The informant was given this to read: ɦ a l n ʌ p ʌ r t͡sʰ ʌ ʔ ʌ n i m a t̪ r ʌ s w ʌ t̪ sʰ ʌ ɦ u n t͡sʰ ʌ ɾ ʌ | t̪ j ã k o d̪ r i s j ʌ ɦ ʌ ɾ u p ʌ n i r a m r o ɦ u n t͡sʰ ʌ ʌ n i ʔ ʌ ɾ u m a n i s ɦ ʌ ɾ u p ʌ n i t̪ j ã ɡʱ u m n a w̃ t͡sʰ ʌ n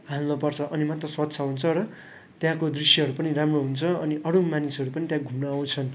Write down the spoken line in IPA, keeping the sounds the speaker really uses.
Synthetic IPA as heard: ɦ a l n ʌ p ʌ r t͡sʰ ʌ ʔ ʌ n i m a t̪ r ʌ s w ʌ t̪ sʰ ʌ ɦ u n t͡sʰ ʌ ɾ ʌ | t̪ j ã k o d̪ r i s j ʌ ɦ ʌ ɾ u p ʌ n i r a m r o ɦ u n t͡sʰ ʌ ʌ n i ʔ ʌ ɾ u m a n i s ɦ ʌ ɾ u p ʌ n i t̪ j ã ɡʱ u m n a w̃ t͡sʰ ʌ n